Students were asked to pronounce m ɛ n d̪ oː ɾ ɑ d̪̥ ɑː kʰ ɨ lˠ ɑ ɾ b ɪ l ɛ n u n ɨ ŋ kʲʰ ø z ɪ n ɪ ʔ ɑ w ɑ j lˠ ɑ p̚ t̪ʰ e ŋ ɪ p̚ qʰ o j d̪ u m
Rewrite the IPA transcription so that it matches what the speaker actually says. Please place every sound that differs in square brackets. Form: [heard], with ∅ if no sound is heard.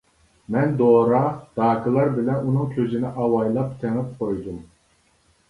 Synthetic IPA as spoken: m ɛ n d̪ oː ɾ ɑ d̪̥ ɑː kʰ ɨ lˠ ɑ ɾ b ɪ l ɛ n u n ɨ ŋ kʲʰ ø z ɪ n ɪ ʔ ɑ w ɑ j lˠ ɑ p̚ t̪ʰ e ŋ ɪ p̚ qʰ o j d̪ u m